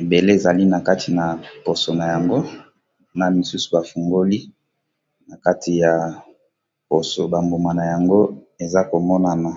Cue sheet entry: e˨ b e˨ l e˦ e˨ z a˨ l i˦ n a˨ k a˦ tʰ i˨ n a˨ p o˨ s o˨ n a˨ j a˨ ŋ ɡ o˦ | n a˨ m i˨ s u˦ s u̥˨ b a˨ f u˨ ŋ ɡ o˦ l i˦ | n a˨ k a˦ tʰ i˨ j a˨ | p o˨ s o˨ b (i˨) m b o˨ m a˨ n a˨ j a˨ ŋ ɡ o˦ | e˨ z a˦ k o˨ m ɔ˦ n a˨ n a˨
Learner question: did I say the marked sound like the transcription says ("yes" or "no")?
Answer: no